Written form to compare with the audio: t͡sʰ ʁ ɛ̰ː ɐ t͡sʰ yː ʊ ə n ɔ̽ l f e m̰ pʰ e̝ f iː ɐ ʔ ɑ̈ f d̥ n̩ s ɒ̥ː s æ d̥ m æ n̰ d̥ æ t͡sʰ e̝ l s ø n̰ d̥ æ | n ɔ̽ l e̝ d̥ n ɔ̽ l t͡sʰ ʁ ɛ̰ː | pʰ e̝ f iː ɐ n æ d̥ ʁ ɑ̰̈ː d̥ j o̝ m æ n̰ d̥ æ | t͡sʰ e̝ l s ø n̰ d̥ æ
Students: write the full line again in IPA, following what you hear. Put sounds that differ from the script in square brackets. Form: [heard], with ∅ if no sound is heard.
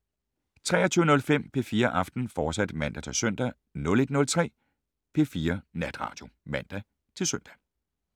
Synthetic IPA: t͡sʰ ʁ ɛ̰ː ɐ t͡sʰ yː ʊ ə n ɔ̽ l f e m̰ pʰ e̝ f iː ɐ ʔ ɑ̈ f d̥ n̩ [f] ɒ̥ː s æ d̥ m æ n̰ d̥ æ t͡sʰ e̝ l s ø n̰ d̥ æ | n ɔ̽ l e̝ d̥ n ɔ̽ l t͡sʰ ʁ ɛ̰ː | pʰ e̝ f iː ɐ n æ d̥ ʁ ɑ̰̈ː d̥ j o̝ m æ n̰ d̥ æ | t͡sʰ e̝ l s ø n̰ d̥ æ